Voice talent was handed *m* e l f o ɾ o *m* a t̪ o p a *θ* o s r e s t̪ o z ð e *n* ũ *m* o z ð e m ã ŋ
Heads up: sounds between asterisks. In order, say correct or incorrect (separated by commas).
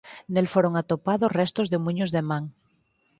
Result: incorrect, incorrect, incorrect, incorrect, incorrect